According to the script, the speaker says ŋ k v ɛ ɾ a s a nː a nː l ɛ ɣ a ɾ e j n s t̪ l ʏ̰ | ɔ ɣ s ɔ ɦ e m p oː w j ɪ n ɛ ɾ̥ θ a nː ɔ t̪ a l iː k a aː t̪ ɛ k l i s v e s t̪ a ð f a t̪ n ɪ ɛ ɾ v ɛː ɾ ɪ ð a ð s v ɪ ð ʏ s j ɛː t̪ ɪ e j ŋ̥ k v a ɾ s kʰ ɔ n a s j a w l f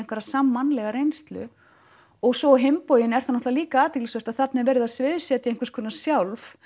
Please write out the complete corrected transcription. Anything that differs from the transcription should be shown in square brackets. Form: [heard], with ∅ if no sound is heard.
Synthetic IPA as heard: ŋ k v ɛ ɾ a s a [mː] a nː l ɛ ɣ a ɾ e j n s t̪ l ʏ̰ | ɔ ɣ s ɔ ɦ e m p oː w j ɪ n ɛ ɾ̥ θ a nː ɔ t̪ a l iː k a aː t̪ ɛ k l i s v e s t̪ a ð [θ] a t̪ n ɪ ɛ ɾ v ɛː ɾ ɪ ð a ð s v ɪ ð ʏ s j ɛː t̪ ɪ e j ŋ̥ k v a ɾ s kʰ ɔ n a s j a w l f